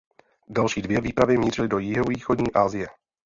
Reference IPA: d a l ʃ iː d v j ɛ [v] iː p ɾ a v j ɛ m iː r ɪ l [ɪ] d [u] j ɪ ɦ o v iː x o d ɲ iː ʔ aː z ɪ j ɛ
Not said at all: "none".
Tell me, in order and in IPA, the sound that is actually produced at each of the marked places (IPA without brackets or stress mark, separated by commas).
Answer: v, ɪ, o